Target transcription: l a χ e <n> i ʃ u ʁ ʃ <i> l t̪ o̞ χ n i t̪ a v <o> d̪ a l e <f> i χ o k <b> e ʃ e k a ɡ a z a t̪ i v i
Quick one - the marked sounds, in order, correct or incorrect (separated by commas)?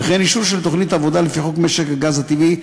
correct, incorrect, correct, correct, incorrect